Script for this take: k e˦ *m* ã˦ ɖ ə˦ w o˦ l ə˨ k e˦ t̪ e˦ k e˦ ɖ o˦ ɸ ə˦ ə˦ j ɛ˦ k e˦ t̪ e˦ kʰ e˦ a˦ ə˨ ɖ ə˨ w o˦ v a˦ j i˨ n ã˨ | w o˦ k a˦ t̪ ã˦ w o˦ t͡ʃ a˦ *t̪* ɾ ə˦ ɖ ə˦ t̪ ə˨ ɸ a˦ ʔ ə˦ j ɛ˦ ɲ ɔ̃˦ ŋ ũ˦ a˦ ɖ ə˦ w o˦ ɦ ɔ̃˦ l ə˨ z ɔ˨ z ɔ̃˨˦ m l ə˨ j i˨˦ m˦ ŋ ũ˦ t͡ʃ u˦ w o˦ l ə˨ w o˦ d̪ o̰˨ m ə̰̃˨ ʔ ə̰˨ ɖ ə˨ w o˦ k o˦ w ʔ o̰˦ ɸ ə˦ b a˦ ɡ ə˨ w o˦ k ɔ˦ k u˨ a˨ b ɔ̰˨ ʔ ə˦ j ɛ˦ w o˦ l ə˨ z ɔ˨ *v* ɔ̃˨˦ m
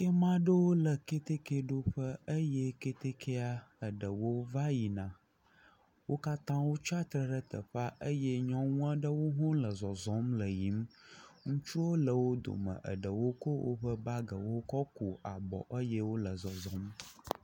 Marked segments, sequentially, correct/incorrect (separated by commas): correct, correct, incorrect